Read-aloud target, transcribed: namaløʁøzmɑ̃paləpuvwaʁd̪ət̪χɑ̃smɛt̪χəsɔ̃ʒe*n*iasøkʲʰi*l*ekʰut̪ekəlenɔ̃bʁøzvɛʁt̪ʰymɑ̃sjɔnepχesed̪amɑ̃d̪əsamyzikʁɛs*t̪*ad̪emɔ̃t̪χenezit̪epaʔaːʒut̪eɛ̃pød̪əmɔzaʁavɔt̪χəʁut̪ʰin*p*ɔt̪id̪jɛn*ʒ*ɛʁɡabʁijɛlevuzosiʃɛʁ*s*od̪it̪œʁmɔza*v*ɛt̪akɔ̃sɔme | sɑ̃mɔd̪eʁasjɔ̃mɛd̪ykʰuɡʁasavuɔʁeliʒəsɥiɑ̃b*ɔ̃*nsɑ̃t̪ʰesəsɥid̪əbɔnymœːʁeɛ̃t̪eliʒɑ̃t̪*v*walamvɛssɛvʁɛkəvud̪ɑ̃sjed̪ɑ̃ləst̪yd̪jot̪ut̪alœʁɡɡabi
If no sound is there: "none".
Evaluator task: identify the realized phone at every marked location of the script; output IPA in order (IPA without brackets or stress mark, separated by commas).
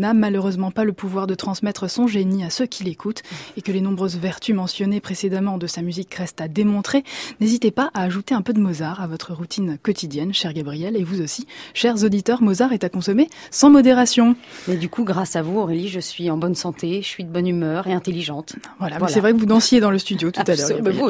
n, l, t̪, k, ʃ, z, ʁ, ɔ, v